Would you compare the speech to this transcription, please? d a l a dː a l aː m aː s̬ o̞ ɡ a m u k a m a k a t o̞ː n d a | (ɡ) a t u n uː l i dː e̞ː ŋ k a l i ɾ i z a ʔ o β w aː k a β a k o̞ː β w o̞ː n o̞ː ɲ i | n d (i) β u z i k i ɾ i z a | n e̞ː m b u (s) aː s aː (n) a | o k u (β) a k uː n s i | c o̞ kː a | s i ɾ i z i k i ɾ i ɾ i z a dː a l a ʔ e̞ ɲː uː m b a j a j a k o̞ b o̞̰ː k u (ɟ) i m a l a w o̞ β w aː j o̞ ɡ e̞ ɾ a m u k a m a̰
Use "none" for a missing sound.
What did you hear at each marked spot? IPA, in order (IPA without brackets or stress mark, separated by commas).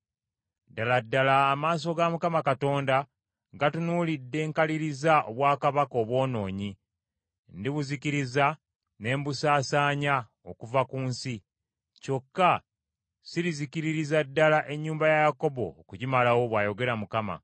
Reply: ɡ, i, s, ɲ, v, ɟ